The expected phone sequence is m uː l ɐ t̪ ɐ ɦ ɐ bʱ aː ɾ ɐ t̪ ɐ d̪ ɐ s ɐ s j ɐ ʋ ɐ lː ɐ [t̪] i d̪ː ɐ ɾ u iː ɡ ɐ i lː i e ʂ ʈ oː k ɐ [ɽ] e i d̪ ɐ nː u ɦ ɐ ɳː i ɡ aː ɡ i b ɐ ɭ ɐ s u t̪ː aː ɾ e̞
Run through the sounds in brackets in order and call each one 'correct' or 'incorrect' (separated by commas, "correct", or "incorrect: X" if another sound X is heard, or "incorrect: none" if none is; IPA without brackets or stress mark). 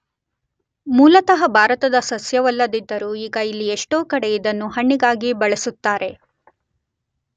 incorrect: d̪, correct